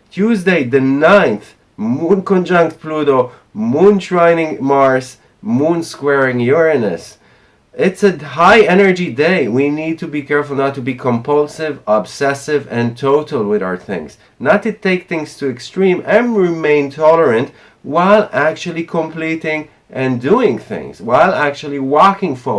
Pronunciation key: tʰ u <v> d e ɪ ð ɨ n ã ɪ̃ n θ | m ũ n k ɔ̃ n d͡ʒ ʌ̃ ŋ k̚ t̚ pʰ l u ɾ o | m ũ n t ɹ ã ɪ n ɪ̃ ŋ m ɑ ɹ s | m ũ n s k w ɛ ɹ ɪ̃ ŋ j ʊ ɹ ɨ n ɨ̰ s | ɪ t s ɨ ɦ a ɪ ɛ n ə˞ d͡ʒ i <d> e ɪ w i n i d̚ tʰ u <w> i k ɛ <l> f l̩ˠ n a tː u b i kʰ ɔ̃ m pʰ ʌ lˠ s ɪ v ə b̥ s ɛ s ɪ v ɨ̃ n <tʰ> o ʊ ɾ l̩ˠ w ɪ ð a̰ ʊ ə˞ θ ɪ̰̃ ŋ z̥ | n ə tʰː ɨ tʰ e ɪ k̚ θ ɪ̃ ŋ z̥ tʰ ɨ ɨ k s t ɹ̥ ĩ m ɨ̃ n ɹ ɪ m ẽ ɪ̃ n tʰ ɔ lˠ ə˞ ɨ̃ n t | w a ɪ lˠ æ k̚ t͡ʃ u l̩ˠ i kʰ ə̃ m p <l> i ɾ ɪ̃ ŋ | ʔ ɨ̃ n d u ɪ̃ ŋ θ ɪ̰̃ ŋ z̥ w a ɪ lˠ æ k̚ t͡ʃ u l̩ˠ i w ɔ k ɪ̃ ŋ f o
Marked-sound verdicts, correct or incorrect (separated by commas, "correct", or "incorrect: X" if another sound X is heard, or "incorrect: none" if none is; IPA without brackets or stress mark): incorrect: z, correct, incorrect: b, incorrect: ɹ, correct, correct